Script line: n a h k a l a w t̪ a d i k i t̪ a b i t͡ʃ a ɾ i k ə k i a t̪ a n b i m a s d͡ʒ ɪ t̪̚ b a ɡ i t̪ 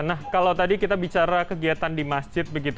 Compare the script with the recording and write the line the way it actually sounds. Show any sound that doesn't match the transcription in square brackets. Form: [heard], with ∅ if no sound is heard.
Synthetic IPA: n a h k a l a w t̪ a d i k i t̪ a b i t͡ʃ a ɾ [a] k ə [ɡ] i a t̪ a n [d] i m a s d͡ʒ ɪ t̪̚ b [ə] ɡ i t̪